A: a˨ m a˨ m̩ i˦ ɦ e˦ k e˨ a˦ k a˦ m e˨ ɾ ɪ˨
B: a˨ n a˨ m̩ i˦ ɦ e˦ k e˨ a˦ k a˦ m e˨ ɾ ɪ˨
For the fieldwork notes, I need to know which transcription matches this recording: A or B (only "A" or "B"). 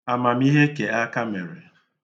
A